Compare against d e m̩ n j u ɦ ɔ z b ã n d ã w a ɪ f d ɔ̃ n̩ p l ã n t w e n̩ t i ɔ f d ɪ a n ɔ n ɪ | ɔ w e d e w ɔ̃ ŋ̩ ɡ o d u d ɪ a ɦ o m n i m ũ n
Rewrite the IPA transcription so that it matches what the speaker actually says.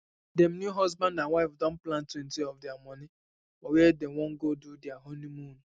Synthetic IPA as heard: d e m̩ n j u ɦ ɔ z b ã n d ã w a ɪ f d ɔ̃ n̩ p l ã n t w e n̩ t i ɔ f d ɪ a m ɔ n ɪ | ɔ w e d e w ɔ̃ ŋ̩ ɡ o d u d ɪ a ɦ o n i m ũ n